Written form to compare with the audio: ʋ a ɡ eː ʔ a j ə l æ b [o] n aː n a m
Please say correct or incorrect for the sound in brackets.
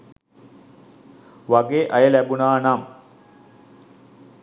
incorrect